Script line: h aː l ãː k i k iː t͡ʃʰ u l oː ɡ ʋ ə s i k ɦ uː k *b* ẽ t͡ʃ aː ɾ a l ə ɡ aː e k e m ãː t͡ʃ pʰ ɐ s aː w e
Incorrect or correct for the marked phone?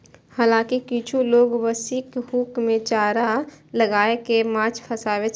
incorrect: m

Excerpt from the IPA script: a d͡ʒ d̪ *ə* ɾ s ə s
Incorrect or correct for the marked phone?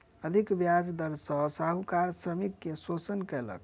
correct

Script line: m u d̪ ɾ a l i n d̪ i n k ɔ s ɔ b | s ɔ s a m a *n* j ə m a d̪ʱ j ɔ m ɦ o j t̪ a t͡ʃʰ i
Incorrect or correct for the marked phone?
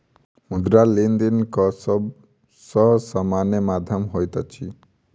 correct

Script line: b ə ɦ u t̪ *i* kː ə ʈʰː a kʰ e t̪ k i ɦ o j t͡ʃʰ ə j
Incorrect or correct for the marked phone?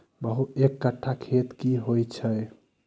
incorrect: e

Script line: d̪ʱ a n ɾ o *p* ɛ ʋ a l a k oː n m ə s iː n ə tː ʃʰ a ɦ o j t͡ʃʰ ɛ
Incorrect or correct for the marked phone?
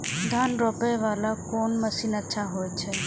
correct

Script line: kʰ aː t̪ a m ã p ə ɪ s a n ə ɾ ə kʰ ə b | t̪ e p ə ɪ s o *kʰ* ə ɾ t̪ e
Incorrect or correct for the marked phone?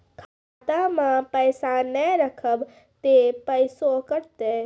incorrect: k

